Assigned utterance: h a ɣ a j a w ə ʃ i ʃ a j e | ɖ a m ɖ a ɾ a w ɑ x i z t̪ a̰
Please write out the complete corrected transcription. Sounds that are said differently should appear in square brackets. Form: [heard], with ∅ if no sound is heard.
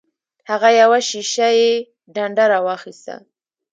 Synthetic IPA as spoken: h a ɣ a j a w [a] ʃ i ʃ a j e | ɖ a [ɳ] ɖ a ɾ a w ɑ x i [s] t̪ a̰